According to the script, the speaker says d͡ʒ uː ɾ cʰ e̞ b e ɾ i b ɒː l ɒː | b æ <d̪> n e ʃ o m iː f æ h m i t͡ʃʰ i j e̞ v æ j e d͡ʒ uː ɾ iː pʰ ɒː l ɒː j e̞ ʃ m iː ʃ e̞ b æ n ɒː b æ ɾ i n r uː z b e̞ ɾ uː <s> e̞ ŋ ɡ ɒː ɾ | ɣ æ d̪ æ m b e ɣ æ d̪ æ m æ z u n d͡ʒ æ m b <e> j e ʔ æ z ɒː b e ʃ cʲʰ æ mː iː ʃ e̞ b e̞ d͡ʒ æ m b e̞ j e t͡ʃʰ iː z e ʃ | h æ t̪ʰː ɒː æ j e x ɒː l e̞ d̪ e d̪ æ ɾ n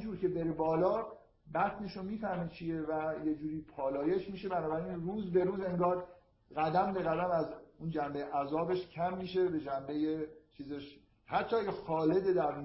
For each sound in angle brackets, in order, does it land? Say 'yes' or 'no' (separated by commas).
no, no, yes